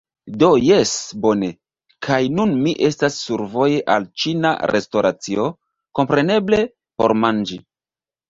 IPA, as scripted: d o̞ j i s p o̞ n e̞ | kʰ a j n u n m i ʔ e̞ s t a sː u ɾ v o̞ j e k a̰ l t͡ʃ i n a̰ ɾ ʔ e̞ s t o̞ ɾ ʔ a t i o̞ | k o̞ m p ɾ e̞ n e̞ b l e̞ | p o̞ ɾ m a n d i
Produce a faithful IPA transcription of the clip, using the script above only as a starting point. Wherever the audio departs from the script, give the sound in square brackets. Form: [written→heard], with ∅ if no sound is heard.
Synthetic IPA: d o̞ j [i→e] s [p→b] o̞ n e̞ | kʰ a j n u n m i ʔ e̞ s t a sː u ɾ v o̞ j e [k→ʔ] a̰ l t͡ʃ i n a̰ ɾ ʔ e̞ s t o̞ ɾ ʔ a [t→t͡s] i o̞ | k o̞ m p ɾ e̞ n e̞ b l e̞ | p o̞ ɾ m a n [d→d͡ʒ] i